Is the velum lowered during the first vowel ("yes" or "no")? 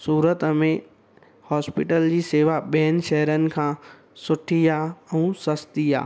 no